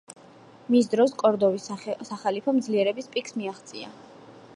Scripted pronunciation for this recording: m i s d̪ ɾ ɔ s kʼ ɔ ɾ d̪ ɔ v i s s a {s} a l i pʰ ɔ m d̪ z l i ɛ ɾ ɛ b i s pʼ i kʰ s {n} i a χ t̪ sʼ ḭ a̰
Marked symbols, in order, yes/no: no, no

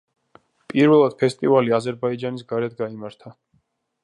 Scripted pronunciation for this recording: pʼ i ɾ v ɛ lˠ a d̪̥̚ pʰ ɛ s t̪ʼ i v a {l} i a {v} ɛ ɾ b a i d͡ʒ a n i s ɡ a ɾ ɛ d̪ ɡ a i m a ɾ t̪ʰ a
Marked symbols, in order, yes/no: yes, no

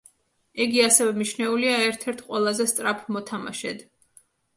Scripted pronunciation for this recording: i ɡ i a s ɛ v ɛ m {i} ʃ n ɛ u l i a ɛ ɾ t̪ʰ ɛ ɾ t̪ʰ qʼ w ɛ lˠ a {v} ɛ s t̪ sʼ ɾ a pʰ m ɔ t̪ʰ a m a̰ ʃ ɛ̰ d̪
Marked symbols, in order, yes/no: yes, no

